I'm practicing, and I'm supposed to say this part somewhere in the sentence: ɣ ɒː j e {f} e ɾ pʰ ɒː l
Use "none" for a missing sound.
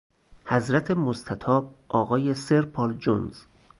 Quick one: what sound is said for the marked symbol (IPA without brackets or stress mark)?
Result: s